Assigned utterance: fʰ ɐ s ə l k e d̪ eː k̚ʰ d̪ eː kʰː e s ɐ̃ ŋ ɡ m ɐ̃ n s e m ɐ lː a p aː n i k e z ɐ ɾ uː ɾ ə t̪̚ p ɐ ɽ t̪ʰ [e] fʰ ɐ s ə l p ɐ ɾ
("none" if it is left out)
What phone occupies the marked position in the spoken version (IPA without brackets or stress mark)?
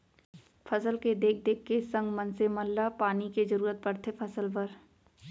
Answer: e